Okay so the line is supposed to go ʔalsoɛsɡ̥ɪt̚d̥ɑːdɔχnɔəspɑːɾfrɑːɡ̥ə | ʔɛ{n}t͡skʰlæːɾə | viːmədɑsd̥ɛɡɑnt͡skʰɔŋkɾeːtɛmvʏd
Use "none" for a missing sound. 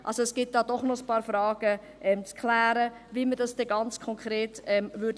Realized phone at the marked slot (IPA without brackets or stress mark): m